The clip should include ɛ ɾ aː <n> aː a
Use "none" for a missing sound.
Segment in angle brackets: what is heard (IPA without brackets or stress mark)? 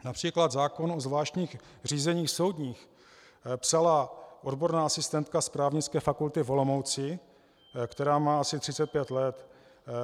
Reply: m